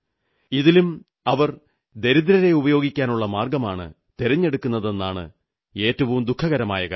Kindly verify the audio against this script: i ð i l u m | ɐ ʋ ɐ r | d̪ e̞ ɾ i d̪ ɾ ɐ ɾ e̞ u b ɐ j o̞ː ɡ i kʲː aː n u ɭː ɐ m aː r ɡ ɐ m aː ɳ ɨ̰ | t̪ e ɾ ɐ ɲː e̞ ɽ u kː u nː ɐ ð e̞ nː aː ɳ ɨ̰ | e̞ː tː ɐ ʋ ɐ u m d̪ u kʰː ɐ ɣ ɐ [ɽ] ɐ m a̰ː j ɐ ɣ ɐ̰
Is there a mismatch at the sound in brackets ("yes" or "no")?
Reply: yes